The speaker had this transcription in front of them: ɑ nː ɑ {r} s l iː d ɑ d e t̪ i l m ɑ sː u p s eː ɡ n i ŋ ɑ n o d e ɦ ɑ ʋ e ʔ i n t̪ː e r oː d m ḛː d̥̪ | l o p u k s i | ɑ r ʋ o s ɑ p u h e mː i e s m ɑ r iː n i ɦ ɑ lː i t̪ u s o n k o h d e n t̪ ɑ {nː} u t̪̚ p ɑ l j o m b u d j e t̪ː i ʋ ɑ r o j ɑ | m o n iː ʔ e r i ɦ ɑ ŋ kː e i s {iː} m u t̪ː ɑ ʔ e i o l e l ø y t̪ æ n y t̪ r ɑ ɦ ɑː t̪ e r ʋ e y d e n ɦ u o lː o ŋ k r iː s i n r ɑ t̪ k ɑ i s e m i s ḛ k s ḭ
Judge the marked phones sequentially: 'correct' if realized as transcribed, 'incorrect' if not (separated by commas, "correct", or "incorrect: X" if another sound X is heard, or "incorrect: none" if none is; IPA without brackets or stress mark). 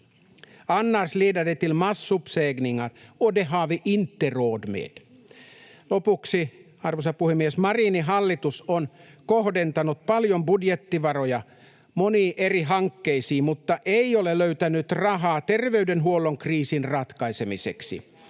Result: correct, incorrect: n, correct